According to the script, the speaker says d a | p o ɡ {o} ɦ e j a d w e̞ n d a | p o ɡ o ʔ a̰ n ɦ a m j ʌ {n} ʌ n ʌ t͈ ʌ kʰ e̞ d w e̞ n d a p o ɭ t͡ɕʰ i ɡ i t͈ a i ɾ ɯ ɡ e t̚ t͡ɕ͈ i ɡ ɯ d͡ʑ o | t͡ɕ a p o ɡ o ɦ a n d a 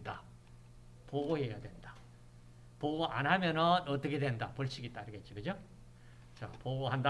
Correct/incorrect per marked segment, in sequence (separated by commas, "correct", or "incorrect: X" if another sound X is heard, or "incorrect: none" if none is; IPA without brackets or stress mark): correct, correct